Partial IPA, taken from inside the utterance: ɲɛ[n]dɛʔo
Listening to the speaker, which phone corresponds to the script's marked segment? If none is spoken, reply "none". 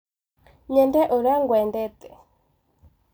n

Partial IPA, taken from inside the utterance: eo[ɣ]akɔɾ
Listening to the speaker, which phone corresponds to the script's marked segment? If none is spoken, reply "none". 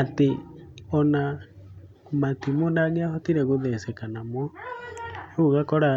ɣ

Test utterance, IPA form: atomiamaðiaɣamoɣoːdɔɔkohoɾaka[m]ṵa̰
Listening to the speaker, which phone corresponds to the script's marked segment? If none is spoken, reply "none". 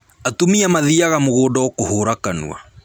n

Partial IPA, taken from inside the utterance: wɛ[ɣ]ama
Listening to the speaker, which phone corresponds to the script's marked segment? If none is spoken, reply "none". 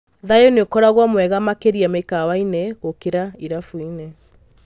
ɣ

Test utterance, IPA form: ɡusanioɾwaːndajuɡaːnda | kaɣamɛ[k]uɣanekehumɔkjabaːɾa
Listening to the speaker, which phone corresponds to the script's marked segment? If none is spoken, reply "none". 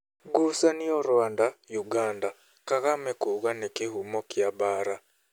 k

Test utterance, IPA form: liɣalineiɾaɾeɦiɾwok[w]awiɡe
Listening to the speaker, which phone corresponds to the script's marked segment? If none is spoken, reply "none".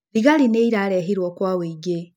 w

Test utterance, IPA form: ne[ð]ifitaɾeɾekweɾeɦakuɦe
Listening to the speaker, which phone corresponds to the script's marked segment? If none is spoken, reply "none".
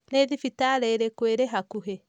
ð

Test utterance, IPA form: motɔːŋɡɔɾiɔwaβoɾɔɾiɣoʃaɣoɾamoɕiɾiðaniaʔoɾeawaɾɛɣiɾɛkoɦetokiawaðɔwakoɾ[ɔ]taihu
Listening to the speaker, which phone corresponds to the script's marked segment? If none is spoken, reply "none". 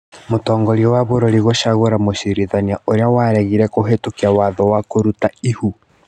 u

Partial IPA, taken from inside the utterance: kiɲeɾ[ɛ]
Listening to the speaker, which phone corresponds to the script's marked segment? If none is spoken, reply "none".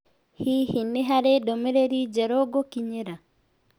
a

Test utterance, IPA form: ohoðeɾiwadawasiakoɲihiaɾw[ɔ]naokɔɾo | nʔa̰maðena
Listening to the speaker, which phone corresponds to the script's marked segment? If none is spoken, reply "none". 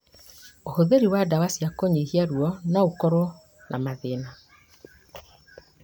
ɔ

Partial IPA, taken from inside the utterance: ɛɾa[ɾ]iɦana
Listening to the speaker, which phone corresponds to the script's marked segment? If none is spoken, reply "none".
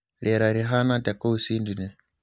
ɾ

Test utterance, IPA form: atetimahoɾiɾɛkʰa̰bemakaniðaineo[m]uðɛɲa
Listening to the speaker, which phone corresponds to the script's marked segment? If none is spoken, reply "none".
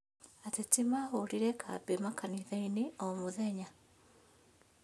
m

